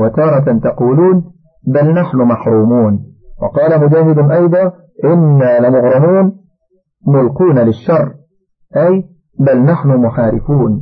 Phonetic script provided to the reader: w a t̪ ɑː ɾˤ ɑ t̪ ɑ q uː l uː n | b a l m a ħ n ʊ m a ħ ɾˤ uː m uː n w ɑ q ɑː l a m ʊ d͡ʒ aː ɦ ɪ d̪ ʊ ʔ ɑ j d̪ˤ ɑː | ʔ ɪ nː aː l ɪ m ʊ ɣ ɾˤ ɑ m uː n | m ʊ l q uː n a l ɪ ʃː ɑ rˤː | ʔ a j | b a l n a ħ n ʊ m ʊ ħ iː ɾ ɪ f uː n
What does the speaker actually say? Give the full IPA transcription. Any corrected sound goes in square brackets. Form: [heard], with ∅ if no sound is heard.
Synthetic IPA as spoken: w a t̪ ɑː ɾˤ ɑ t̪ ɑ q uː l uː n | b a l [n] a ħ n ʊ m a ħ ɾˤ uː m uː n w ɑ q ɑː l a m ʊ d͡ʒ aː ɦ ɪ d̪ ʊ ʔ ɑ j d̪ˤ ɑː | ʔ ɪ nː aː l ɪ m ʊ ɣ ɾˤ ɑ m uː n | m ʊ l q uː n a l ɪ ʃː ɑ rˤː | ʔ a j | b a l n a ħ n ʊ m ʊ ħ [aː] ɾ ɪ f uː n